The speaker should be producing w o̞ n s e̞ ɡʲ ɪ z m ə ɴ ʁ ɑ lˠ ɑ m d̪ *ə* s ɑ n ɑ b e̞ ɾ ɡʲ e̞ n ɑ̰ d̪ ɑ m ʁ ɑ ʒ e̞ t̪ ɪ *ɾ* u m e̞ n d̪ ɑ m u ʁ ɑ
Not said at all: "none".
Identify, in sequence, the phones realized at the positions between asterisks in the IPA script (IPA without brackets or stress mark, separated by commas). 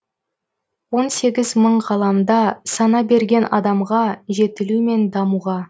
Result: ɑ, l